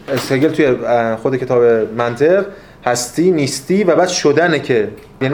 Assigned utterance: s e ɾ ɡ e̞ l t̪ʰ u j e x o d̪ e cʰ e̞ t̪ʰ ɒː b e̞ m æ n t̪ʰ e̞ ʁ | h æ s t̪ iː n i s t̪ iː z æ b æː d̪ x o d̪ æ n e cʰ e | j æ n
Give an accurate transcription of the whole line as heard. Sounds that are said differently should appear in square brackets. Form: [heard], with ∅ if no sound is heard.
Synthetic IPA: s e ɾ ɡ e̞ l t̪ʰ u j e x o d̪ e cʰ e̞ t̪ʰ ɒː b e̞ m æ n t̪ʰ e̞ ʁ | h æ s t̪ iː n i s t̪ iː [v] æ b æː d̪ [ʃ] o d̪ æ n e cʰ e | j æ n